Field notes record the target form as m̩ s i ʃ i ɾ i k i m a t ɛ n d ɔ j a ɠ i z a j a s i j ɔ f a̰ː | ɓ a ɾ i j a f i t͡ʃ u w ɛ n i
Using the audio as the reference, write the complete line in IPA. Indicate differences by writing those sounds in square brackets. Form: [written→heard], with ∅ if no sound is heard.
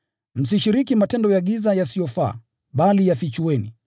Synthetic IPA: m̩ s i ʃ i ɾ i k i m a t ɛ n d ɔ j a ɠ i z a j a s i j ɔ f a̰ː | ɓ a [ɾ→l] i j a f i t͡ʃ u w ɛ n i